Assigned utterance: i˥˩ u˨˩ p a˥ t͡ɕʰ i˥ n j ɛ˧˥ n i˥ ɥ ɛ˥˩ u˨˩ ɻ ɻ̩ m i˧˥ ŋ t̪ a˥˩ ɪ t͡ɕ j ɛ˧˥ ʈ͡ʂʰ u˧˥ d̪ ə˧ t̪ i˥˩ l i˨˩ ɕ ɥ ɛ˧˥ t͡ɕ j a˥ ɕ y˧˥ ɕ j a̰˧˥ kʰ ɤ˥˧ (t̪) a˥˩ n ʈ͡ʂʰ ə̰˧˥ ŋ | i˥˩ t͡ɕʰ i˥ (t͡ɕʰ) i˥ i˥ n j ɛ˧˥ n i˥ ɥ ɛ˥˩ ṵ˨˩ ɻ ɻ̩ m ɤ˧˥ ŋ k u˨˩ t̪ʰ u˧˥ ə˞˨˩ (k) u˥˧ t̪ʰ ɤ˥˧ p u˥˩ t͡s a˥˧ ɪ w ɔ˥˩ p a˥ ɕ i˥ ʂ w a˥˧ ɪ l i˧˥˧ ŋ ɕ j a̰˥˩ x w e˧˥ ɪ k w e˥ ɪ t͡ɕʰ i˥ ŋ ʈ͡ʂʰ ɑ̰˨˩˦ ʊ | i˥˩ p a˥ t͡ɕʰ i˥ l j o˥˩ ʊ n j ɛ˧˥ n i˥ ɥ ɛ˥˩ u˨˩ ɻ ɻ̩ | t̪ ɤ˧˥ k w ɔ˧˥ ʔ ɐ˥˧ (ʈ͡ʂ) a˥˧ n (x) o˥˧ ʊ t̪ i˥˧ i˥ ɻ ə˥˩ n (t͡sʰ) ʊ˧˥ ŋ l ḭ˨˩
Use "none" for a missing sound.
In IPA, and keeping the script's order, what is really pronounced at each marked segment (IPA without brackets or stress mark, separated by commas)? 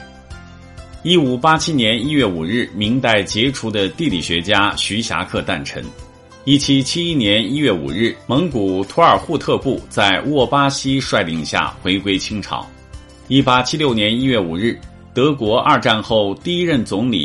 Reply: t̪, t͡ɕʰ, x, ʈ͡ʂ, x, t͡s